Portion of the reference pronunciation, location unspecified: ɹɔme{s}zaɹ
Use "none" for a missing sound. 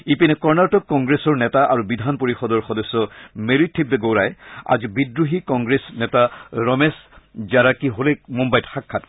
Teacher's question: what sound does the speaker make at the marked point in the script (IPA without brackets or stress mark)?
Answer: s